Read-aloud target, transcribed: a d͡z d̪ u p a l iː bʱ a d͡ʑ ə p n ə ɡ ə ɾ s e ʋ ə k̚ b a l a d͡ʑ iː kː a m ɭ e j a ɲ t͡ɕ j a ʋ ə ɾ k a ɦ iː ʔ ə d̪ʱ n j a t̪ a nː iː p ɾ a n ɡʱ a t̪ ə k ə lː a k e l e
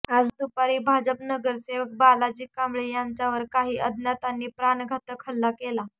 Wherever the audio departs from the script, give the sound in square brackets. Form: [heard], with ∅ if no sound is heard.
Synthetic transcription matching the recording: a d͡z d̪ u p a [ɾ] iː bʱ a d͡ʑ ə p n ə ɡ ə ɾ s e ʋ ə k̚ b a l a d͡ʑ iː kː a m ɭ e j a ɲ t͡ɕ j a ʋ ə ɾ k a ɦ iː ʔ ə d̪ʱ n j a t̪ a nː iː p ɾ a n ɡʱ a t̪ ə [kʰ] ə lː a k e l [a]

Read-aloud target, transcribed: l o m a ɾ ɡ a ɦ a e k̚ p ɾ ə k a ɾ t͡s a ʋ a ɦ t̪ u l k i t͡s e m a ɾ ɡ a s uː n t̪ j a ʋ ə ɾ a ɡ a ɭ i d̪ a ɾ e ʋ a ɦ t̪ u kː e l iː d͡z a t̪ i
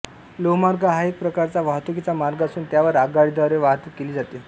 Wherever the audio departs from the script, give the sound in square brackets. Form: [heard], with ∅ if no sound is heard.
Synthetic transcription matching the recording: l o m a ɾ ɡ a ɦ a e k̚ p ɾ ə k a ɾ t͡s a ʋ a ɦ t̪ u [∅] k i t͡s [a] m a ɾ ɡ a s uː n t̪ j a ʋ ə ɾ a ɡ a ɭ i d̪ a ɾ e ʋ a ɦ t̪ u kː e l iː d͡z a t̪ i

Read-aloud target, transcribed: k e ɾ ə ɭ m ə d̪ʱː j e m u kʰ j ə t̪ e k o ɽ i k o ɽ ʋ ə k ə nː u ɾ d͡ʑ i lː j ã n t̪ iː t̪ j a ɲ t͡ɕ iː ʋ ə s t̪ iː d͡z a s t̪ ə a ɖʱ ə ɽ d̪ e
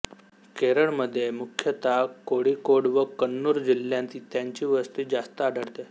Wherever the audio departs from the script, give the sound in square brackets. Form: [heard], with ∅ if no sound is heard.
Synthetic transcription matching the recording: k e ɾ ə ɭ m ə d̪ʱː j e m u kʰ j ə t̪ [a] k o ɽ i k o ɽ ʋ ə k ə nː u ɾ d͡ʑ i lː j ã n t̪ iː t̪ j a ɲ t͡ɕ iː ʋ ə s t̪ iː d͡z a s t̪ ə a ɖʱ ə ɽ [t̪] e

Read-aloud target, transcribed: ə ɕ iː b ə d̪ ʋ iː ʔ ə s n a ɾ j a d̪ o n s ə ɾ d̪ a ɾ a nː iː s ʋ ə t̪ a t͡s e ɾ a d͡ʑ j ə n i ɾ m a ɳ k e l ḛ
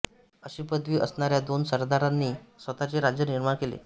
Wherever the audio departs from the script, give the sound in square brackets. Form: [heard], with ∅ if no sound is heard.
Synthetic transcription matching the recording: ə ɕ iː [p] ə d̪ ʋ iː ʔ ə s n a ɾ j a d̪ o n s ə ɾ d̪ a ɾ a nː iː s ʋ ə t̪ a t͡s e ɾ a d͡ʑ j ə n i ɾ m a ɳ k e l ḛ

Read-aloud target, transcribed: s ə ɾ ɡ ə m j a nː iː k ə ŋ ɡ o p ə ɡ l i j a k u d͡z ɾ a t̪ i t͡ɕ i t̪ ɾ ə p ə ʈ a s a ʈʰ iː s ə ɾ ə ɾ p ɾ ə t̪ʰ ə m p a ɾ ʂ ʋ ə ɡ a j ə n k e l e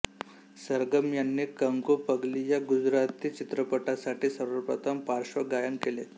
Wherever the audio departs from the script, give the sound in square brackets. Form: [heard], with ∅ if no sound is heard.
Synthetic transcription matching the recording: s ə ɾ ɡ ə m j a nː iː k ə ŋ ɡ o p ə ɡ l i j a [ɡ] u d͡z ɾ a t̪ i t͡ɕ i t̪ ɾ ə p ə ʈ a s a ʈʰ iː s ə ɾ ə ɾ p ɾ ə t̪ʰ ə m p a ɾ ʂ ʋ ə ɡ a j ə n k e l e

